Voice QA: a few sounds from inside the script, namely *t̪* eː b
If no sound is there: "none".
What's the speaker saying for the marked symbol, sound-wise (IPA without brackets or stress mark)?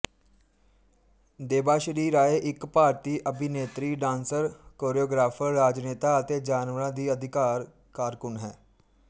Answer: d̪